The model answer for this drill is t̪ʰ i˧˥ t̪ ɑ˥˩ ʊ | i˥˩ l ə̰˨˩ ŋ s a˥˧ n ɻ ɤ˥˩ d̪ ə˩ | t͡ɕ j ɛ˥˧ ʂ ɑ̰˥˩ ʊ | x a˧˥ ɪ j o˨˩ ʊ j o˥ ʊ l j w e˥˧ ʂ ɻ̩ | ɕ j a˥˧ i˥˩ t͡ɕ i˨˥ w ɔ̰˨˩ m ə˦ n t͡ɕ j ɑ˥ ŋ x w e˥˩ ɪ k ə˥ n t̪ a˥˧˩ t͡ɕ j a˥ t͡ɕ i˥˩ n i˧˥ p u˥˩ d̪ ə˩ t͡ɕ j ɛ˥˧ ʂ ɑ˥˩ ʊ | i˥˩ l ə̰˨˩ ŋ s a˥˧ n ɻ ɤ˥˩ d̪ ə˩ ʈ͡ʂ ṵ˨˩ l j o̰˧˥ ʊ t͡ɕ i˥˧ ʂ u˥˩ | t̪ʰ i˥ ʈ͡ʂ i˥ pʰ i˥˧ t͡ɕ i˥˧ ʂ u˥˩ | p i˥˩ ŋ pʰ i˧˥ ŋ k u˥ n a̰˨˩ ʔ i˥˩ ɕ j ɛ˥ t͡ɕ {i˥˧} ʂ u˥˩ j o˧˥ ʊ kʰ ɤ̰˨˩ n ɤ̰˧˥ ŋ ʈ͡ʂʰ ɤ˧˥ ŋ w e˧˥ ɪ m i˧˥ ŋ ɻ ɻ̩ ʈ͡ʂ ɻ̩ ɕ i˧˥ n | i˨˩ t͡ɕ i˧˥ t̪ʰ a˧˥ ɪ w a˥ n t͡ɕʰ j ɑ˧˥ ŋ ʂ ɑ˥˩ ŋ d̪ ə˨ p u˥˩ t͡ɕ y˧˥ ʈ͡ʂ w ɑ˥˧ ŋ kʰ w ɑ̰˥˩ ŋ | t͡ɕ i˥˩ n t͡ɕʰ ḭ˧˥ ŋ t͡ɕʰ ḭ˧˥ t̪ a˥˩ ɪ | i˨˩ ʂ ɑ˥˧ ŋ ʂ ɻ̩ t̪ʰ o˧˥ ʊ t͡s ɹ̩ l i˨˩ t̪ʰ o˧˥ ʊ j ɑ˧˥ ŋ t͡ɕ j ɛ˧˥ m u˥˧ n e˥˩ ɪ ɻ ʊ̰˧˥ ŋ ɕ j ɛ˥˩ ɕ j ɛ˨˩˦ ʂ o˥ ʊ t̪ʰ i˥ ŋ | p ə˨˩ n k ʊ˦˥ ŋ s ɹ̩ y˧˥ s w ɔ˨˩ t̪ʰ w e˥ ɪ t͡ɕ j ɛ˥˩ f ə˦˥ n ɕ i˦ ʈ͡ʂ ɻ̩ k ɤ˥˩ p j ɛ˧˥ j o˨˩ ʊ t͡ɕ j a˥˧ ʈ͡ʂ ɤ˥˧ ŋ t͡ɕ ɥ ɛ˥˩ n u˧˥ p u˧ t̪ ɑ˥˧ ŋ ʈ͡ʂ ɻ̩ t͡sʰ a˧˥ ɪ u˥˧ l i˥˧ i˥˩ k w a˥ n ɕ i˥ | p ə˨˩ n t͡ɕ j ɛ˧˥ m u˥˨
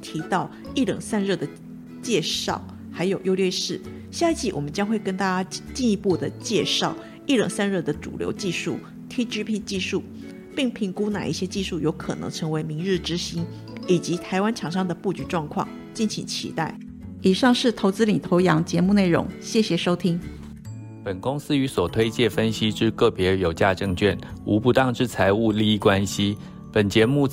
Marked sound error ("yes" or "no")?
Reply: no